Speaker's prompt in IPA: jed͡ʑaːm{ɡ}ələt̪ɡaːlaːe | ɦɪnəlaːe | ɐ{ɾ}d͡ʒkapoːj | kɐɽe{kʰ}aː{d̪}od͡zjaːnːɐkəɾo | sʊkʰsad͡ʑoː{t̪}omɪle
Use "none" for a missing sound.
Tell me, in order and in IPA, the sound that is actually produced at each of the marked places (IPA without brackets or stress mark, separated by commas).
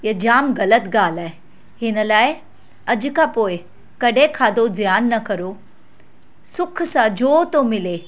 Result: ɡ, none, kʰ, d̪, t̪